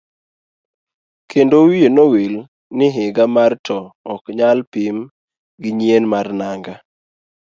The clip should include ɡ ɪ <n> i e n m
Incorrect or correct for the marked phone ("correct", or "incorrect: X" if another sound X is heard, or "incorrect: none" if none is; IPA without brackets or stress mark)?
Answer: incorrect: ɲ